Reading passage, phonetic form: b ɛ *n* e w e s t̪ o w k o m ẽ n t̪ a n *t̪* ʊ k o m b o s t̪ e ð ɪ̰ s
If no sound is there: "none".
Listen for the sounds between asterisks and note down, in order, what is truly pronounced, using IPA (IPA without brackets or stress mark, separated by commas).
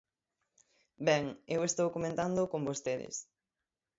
ŋ, d̪